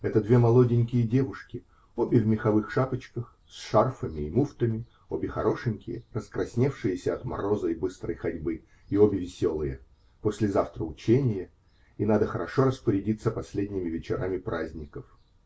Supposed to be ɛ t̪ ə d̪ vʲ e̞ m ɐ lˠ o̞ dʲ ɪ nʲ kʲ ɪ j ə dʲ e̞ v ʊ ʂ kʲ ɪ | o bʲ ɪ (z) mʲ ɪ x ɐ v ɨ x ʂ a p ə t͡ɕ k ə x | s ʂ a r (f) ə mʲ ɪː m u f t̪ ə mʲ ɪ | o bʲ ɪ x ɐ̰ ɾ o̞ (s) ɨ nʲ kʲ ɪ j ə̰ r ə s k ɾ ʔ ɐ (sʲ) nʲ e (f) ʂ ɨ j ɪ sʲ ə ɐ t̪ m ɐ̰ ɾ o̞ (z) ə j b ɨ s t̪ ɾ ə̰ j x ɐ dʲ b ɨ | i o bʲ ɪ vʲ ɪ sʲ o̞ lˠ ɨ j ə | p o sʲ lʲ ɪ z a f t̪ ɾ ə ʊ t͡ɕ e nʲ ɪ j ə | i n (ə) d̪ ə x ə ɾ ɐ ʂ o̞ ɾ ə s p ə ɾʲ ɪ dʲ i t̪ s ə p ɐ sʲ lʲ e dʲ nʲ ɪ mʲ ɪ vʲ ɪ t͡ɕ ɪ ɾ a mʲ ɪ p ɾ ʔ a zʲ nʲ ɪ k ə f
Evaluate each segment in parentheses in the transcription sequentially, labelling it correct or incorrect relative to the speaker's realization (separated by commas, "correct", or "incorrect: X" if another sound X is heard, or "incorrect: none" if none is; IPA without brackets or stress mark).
incorrect: v, correct, incorrect: ʂ, correct, correct, correct, incorrect: a